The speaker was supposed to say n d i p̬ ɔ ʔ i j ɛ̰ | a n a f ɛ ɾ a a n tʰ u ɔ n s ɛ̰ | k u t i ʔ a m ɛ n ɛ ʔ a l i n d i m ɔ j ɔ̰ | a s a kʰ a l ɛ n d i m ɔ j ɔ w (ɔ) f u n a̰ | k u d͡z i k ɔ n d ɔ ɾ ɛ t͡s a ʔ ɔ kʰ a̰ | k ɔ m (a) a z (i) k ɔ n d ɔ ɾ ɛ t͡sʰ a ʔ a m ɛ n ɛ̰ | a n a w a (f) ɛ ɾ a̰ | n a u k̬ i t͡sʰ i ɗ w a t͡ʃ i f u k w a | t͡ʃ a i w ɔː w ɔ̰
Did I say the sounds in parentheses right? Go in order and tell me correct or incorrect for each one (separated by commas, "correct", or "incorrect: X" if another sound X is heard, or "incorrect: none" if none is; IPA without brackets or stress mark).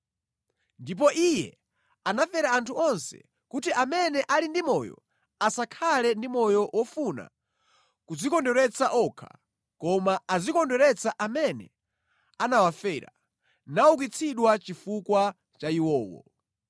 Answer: correct, correct, correct, correct